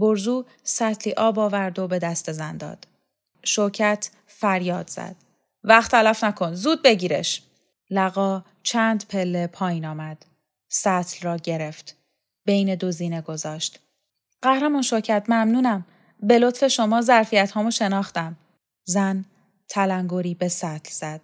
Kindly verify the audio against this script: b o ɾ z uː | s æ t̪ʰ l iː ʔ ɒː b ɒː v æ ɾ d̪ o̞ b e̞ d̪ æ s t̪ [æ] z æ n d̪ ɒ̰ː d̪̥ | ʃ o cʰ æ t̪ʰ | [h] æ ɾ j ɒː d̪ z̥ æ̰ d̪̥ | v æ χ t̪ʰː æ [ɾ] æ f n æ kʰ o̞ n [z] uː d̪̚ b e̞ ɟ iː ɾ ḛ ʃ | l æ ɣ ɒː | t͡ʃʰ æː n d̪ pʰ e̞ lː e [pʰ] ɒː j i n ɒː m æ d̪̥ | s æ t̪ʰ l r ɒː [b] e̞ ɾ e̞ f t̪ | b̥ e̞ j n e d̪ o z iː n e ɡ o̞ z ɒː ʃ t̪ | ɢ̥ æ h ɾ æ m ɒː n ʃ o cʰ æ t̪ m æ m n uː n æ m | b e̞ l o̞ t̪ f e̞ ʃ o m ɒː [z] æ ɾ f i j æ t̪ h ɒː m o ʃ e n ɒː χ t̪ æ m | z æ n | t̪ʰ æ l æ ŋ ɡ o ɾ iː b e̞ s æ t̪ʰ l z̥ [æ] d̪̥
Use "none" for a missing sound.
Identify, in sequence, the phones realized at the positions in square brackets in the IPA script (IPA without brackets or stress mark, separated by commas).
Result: e, f, l, z, pʰ, ɟ, z, æ